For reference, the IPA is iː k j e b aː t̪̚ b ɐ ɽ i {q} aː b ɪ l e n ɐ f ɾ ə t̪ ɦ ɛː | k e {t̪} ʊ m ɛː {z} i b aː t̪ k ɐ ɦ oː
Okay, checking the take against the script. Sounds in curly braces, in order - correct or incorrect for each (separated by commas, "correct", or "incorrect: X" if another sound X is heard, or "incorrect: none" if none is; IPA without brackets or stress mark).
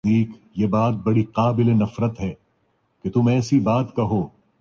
correct, correct, incorrect: s